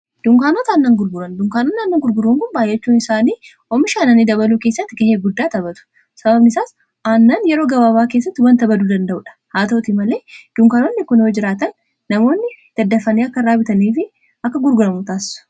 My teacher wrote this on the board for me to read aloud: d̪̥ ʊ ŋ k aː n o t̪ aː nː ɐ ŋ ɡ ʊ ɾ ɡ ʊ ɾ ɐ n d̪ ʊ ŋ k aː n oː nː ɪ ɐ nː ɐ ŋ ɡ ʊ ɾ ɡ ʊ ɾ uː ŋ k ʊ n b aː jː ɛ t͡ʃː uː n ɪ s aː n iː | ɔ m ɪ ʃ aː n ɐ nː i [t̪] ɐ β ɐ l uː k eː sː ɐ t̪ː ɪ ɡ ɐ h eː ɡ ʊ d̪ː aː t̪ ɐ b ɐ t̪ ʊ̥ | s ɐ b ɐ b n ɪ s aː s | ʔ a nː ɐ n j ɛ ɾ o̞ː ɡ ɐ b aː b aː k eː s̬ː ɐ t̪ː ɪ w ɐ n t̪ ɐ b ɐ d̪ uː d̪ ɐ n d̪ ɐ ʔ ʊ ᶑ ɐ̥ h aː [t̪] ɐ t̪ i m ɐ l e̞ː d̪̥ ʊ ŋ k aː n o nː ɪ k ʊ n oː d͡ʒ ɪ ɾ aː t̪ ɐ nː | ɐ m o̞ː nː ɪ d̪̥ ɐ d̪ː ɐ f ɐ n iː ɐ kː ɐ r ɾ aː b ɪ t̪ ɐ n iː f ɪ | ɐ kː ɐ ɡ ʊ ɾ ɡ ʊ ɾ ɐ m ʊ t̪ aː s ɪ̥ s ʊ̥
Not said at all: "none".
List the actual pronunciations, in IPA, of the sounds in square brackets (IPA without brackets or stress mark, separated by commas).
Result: d̪, t̪